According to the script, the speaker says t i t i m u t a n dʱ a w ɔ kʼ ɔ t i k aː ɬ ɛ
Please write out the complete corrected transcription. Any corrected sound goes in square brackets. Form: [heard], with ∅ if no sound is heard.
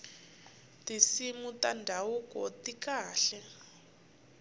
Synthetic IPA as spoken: t i [s] i m u t a n dʱ a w [u] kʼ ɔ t i k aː ɬ ɛ

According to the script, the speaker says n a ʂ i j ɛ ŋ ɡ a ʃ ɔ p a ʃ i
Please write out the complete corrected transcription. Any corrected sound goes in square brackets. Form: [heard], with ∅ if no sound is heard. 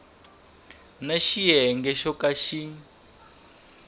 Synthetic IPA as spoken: n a [ʃ] i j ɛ ŋ ɡ [ɛ] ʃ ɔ [k] a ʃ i

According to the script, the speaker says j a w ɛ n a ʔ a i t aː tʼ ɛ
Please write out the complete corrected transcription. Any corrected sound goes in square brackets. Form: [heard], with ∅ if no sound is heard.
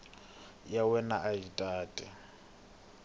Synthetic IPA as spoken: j a w ɛ n a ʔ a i [tʼ] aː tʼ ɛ

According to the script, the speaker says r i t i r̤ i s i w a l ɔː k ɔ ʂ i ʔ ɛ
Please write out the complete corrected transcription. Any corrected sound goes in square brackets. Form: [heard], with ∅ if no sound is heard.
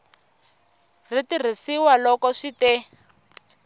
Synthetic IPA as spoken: r i t i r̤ i s i w a l [ɔ] k ɔ ʂ i [t] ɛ

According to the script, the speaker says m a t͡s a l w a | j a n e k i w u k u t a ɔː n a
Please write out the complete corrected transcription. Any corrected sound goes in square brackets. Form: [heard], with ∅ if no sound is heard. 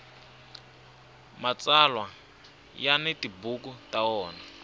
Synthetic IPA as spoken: m a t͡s a l w a | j a n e [t] i [b] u k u t a ɔː n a

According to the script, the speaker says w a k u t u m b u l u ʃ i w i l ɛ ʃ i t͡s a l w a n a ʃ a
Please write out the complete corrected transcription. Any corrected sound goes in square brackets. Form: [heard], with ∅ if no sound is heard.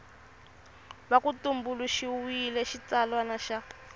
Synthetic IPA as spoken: [β] a k u t u m b u l u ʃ i w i l ɛ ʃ i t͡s a l w a n a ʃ a

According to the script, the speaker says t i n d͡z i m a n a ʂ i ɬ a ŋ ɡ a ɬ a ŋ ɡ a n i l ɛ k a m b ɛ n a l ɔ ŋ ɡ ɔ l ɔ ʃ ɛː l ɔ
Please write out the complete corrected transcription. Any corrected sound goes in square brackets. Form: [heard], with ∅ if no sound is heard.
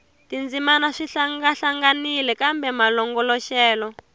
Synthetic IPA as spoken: t i n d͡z i m a n a ʂ i ɬ a ŋ ɡ a ɬ a ŋ ɡ a n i l ɛ k a m b ɛ [m] a l ɔ ŋ ɡ ɔ l ɔ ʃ ɛː l ɔ

